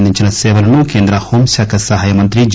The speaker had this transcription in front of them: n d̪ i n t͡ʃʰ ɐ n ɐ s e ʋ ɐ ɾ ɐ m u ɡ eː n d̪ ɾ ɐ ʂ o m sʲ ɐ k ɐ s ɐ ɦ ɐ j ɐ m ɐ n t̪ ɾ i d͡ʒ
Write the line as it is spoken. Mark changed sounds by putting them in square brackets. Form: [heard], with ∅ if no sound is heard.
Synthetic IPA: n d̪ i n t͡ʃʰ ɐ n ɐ s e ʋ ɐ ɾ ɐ [n] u [k] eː n d̪ ɾ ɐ [h] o m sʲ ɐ k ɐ s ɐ ɦ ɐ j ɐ m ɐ n t̪ ɾ i d͡ʒ

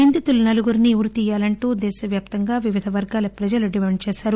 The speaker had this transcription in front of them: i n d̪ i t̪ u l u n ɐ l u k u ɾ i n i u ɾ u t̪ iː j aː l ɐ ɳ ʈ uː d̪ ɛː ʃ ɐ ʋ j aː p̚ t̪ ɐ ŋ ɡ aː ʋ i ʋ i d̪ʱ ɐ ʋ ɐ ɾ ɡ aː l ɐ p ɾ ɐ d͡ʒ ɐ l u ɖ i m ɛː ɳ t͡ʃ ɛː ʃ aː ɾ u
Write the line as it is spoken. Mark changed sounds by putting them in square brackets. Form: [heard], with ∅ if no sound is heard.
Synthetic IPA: i n d̪ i t̪ u l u n ɐ l u [ɡ] u ɾ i n i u ɾ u t̪ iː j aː l ɐ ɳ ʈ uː d̪ ɛː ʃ ɐ ʋ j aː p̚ t̪ ɐ ŋ ɡ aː ʋ i ʋ i d̪ʱ ɐ ʋ ɐ ɾ ɡ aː l ɐ p ɾ ɐ d͡ʒ ɐ l u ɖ i m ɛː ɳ t͡ʃ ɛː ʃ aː ɾ u

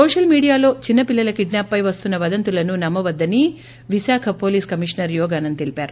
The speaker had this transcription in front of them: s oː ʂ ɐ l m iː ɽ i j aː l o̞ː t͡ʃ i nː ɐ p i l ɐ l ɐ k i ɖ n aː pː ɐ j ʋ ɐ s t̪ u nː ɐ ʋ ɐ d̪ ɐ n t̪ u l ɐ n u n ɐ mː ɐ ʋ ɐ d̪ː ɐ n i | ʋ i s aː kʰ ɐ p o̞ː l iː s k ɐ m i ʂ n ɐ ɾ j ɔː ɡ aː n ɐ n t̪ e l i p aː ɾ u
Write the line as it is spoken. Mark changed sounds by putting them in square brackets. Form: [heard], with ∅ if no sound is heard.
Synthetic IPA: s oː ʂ ɐ l m iː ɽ i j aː l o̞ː t͡ʃ i nː ɐ p i [lː] ɐ l ɐ k i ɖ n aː pː ɐ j ʋ ɐ s t̪ u nː ɐ ʋ ɐ d̪ ɐ n t̪ u l ɐ n u n ɐ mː ɐ ʋ ɐ d̪ː ɐ n i | ʋ i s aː kʰ ɐ p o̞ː l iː s k ɐ m i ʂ n ɐ ɾ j ɔː ɡ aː n ɐ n t̪ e l i p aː ɾ u

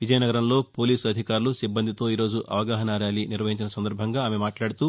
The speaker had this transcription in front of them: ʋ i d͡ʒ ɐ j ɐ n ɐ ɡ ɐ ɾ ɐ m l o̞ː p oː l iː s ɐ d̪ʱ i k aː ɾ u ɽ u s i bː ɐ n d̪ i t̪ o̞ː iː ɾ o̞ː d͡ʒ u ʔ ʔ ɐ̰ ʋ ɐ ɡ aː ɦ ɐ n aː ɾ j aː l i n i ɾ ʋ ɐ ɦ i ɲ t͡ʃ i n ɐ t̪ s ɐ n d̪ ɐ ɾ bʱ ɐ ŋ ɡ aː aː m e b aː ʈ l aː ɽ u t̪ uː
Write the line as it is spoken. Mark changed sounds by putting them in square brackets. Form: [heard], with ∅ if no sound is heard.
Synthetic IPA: ʋ i d͡ʒ ɐ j ɐ n ɐ ɡ ɐ ɾ ɐ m l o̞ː p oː l iː s ɐ d̪ʱ i k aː ɾ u [l] u s i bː ɐ n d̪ i t̪ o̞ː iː ɾ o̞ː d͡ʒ u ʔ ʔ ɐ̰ ʋ ɐ ɡ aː ɦ ɐ n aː ɾ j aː l i n i ɾ ʋ ɐ ɦ i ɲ t͡ʃ i n ɐ [∅] s ɐ n d̪ ɐ ɾ bʱ ɐ ŋ ɡ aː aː m e [m] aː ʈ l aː ɽ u t̪ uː

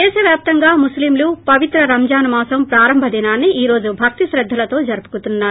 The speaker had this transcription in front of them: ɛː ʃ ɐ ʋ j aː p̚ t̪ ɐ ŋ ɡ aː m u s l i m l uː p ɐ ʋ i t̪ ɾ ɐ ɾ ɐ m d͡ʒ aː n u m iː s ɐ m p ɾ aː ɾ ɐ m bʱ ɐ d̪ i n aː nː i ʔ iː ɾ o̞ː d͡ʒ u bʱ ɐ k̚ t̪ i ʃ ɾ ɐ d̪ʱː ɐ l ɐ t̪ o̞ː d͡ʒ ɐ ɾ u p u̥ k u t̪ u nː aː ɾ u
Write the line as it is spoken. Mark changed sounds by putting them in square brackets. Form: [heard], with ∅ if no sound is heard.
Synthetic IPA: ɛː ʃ ɐ ʋ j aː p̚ t̪ ɐ ŋ ɡ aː m u s l i m l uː p ɐ ʋ i t̪ ɾ ɐ ɾ ɐ m d͡ʒ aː n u m [aː] s ɐ m p ɾ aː ɾ ɐ m bʱ ɐ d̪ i n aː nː i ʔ iː ɾ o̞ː d͡ʒ u bʱ ɐ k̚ t̪ i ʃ ɾ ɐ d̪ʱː ɐ l ɐ t̪ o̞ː d͡ʒ ɐ ɾ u p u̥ k u t̪ u nː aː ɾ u

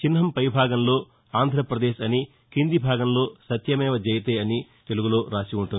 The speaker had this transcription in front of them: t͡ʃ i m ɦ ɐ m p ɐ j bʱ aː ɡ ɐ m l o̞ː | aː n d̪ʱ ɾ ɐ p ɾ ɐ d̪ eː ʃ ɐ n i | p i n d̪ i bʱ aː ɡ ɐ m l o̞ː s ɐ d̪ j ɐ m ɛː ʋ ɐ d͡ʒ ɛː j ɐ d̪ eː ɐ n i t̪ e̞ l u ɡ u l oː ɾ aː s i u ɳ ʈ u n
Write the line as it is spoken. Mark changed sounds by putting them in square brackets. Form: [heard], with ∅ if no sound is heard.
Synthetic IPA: t͡ʃ i [n] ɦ ɐ m p ɐ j bʱ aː ɡ ɐ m l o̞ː | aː n d̪ʱ ɾ ɐ p ɾ ɐ d̪ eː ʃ ɐ n i | [k] i n d̪ i bʱ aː ɡ ɐ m l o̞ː s ɐ [t̪] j ɐ m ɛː ʋ ɐ d͡ʒ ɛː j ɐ [t̪] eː ɐ n i t̪ e̞ l u ɡ u l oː ɾ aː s i u ɳ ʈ u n

